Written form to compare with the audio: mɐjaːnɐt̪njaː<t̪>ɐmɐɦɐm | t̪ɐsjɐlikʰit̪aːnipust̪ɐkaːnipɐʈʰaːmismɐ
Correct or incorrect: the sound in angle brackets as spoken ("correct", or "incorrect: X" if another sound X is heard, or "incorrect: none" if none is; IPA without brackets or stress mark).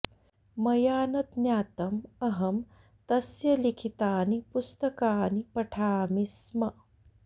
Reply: correct